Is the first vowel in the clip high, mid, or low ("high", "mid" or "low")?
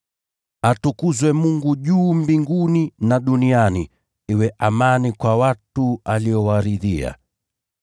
low